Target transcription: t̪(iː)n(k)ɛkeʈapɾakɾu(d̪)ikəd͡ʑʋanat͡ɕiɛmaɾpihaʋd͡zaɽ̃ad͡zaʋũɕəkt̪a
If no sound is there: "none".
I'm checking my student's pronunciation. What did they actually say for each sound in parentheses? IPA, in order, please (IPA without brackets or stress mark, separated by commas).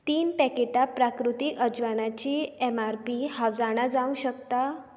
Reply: iː, p, t̪